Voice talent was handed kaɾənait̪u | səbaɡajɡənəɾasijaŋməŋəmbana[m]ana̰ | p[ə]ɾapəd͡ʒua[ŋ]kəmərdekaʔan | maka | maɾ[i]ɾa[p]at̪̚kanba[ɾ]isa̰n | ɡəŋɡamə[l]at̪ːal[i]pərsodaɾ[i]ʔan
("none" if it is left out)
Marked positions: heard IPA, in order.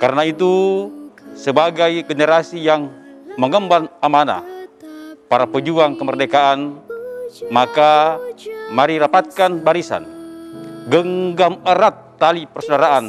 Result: m, a, ŋ, i, p, ɾ, ɾ, i, a

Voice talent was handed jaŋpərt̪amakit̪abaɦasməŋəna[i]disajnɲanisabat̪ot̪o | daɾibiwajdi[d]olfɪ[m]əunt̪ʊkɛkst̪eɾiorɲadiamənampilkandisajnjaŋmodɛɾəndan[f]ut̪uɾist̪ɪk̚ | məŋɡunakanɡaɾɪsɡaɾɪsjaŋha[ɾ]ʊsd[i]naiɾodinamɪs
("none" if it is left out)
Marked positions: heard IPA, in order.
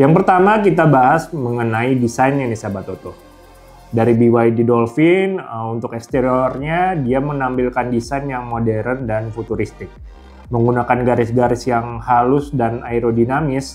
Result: i, d, n, f, l, a

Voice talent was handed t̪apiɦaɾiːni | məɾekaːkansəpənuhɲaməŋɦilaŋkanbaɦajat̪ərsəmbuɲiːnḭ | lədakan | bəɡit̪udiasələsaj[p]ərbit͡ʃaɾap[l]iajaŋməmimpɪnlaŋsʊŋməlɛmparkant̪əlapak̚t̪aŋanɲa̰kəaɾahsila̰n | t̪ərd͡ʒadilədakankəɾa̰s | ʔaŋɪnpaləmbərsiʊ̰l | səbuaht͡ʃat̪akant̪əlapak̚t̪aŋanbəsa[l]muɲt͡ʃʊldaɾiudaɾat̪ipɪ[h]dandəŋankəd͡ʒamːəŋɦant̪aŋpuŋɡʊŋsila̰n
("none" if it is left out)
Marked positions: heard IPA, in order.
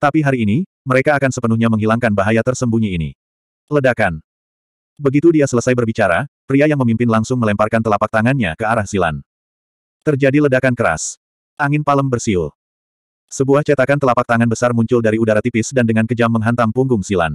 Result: b, ɾ, r, s

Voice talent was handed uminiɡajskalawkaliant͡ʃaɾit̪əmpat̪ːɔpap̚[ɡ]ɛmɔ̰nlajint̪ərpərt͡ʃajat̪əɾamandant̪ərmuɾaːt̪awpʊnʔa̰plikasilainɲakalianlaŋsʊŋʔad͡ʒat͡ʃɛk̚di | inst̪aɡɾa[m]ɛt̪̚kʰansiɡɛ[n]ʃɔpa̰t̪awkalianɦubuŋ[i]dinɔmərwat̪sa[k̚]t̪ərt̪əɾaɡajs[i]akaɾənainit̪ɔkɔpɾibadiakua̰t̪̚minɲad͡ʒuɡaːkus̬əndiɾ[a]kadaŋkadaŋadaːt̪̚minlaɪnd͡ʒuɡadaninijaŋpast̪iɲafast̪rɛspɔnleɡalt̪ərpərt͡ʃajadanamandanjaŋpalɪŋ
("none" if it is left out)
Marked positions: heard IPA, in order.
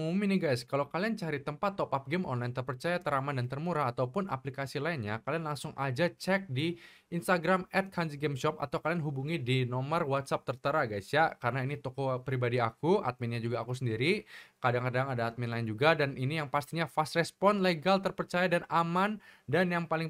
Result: ɡ, m, m, i, p̚, j, i

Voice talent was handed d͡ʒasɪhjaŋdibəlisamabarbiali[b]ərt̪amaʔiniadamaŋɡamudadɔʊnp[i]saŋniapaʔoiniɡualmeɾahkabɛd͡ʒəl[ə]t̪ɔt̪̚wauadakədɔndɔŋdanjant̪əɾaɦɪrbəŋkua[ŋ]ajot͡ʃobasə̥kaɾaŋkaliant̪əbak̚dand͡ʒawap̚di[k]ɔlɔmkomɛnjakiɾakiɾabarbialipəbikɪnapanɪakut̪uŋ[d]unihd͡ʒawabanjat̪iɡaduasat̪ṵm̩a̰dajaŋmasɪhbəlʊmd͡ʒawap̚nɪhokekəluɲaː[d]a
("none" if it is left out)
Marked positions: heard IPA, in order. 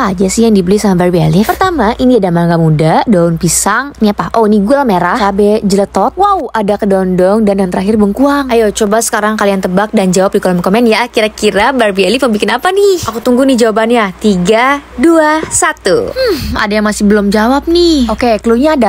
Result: p, i, ə, ŋ, k, ɡ, d

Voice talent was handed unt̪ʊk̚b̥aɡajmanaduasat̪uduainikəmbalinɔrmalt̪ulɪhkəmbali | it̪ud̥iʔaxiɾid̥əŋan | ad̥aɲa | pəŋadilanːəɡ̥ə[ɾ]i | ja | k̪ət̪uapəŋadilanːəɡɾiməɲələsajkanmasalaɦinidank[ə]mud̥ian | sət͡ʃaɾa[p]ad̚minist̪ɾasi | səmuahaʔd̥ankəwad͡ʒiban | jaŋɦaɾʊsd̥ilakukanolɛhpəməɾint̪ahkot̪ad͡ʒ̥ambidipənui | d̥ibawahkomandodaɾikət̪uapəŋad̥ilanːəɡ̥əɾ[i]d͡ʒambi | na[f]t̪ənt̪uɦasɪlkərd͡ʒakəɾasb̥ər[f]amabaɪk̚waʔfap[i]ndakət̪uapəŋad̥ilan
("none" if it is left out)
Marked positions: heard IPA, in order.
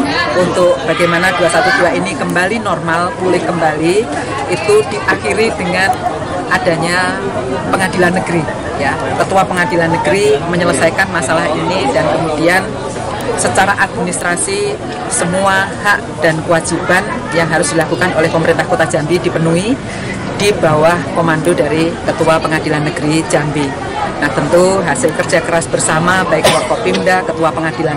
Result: ɾ, ə, ʔ, i, h, s, i

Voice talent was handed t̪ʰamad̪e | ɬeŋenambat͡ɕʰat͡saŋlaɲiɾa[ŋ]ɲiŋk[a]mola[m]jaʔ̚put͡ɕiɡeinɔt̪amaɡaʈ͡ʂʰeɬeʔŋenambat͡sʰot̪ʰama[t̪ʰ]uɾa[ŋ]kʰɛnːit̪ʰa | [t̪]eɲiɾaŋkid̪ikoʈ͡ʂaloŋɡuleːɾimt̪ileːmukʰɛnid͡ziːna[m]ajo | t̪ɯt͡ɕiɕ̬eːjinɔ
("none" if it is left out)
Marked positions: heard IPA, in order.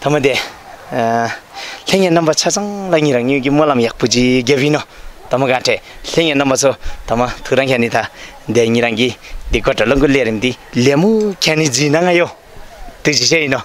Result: ŋ, i, m, t̪ʰ, ŋ, d̪, ŋ

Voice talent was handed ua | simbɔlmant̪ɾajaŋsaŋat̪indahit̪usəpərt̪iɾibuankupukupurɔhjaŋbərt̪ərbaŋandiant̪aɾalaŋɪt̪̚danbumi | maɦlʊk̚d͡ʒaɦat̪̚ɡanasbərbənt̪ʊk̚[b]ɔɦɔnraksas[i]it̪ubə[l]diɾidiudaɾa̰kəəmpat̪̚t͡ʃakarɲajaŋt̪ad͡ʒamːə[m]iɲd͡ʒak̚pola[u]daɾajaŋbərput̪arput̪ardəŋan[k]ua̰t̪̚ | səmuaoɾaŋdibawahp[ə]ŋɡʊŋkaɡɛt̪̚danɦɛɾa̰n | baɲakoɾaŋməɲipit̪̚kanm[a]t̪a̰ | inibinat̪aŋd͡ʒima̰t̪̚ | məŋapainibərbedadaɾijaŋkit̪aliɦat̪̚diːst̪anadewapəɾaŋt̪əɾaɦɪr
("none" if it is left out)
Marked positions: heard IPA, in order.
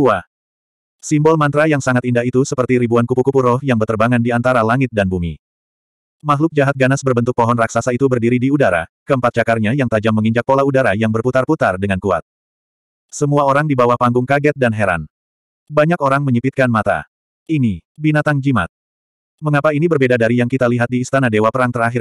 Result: p, a, r, ŋ, u, k, a, a

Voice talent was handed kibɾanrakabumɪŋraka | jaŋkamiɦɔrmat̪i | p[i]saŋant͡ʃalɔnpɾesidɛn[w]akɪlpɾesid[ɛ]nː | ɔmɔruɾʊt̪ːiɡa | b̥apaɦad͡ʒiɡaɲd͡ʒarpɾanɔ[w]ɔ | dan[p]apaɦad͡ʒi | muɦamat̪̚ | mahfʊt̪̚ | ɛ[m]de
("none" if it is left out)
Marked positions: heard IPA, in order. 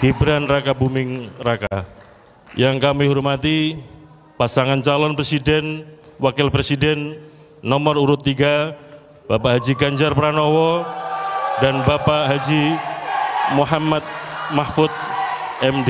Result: a, w, ɛ, w, b, m

